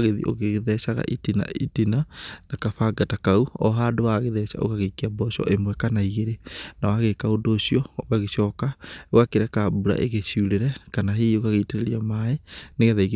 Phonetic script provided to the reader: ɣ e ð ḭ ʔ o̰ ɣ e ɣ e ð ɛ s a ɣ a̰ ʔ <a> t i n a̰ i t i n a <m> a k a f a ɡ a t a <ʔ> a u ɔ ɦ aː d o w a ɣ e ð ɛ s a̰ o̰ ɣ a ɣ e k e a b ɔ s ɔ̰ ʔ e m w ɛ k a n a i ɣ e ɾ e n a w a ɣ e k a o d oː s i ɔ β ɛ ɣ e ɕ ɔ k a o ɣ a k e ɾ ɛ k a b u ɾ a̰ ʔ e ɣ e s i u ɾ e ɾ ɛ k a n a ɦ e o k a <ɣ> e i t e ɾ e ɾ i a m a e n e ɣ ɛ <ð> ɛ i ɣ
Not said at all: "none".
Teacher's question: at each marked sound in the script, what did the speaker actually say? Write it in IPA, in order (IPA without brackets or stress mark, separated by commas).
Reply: i, n, k, ɣ, ð